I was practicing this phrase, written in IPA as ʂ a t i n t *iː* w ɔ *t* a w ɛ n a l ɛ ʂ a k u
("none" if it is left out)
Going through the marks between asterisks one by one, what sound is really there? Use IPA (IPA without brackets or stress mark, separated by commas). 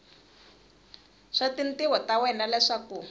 i, t